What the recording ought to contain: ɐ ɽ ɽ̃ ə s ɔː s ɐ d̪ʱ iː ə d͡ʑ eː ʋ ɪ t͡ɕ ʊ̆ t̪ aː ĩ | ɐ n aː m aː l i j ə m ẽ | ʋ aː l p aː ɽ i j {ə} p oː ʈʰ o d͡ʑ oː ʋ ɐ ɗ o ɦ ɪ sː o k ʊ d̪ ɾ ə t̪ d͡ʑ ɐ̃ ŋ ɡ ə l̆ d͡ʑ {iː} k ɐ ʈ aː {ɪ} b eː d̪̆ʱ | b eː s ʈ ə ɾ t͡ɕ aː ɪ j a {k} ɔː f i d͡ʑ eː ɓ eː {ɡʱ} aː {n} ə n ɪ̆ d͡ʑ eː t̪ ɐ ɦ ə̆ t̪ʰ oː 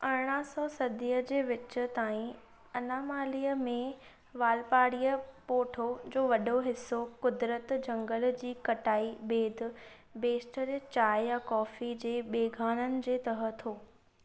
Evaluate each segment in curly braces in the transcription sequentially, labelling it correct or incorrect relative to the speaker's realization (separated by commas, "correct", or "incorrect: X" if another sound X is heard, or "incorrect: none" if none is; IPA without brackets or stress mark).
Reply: correct, correct, incorrect: i, correct, correct, correct